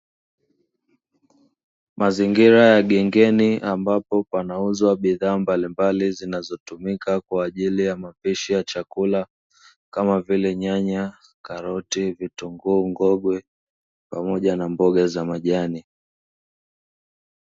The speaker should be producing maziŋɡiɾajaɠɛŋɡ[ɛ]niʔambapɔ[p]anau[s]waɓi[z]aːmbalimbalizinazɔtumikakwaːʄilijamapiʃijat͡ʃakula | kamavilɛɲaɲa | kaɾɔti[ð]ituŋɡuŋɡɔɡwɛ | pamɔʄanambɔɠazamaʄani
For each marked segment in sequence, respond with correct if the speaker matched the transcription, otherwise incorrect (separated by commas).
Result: correct, correct, incorrect, incorrect, incorrect